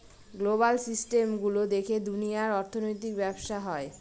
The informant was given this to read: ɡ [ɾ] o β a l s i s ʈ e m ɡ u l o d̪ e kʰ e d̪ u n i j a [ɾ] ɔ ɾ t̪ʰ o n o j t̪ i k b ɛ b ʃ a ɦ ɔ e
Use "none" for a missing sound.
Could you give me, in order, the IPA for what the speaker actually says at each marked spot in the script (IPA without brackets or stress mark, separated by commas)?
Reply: l, ɾ